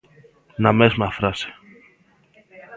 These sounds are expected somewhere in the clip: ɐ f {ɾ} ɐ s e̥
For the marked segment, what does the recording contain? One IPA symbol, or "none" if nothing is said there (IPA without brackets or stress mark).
ɾ